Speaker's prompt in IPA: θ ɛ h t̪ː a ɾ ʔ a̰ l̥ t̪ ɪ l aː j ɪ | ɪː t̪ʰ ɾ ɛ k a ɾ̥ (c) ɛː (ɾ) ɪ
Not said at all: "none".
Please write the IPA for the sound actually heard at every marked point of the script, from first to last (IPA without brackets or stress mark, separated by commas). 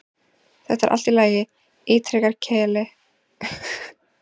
cʰ, l